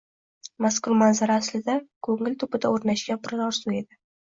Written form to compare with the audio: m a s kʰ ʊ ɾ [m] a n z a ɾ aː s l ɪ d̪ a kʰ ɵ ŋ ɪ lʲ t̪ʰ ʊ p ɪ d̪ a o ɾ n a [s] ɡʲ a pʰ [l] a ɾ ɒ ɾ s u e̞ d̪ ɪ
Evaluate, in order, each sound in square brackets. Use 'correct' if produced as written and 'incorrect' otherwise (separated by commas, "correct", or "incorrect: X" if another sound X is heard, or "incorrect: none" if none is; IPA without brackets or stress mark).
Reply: correct, incorrect: ʃ, incorrect: ɾ